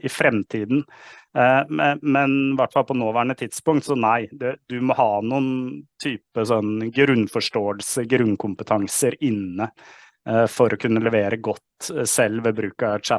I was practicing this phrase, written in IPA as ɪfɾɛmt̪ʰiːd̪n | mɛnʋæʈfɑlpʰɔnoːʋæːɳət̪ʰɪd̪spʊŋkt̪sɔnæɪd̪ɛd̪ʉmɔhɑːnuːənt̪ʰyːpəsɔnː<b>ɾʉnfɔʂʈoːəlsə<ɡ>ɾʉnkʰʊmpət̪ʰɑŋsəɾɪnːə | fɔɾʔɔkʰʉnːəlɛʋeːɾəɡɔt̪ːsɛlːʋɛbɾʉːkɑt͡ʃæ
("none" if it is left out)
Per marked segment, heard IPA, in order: ɡ, ɡ

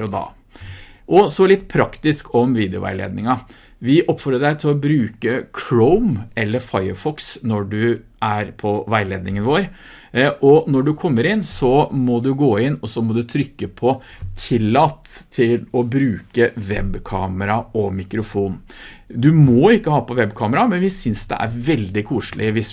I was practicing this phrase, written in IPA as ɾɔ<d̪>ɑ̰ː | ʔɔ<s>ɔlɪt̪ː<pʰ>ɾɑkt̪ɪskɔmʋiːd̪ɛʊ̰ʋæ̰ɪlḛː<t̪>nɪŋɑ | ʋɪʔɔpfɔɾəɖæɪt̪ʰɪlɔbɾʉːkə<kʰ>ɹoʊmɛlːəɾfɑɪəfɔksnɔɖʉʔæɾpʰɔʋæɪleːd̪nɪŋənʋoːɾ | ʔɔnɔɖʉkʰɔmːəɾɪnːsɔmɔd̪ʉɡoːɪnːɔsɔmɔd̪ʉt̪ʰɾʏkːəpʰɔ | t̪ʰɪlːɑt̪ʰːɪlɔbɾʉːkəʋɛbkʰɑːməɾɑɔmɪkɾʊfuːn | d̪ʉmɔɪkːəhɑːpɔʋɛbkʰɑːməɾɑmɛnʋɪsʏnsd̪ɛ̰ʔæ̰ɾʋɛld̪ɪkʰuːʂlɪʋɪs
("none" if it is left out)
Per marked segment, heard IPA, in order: d̪, s, pʰ, d̪, kʰ

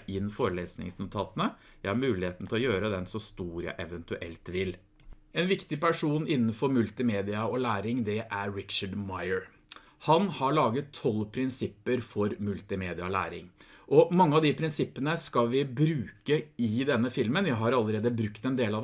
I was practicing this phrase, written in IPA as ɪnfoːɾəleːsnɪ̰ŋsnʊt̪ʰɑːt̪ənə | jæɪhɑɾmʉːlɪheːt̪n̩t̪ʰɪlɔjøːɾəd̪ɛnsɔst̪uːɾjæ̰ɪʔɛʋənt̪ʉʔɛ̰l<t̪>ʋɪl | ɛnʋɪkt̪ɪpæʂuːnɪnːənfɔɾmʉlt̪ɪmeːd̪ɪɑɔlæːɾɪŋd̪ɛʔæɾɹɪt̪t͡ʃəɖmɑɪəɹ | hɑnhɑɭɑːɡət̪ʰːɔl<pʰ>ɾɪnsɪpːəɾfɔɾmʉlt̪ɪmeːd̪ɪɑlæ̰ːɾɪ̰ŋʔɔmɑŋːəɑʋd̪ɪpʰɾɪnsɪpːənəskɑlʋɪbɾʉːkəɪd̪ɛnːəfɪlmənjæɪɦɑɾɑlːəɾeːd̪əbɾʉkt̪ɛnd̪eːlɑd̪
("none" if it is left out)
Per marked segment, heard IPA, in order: t̪, pʰ

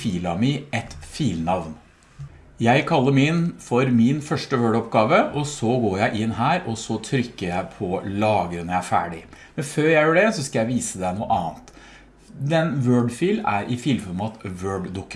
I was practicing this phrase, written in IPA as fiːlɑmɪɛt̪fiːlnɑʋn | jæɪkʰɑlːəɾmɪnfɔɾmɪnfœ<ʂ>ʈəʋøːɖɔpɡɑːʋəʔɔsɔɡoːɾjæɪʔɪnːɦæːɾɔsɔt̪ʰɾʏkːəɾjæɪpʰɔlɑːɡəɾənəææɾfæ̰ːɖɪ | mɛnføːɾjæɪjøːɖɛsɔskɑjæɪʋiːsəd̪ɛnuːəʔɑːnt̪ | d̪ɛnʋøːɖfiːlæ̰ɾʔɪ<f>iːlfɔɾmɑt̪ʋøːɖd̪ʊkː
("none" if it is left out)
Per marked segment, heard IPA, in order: ʂ, f

